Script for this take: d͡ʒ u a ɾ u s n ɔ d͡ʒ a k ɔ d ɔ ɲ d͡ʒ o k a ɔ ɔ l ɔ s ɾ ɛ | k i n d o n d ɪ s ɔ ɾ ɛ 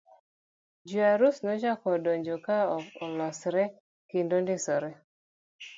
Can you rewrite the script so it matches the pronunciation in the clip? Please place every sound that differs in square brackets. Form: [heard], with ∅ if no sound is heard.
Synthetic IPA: d͡ʒ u a ɾ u s n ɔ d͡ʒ a k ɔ d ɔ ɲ d͡ʒ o k a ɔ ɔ l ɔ s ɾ ɛ | k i n d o n d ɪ s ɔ ɾ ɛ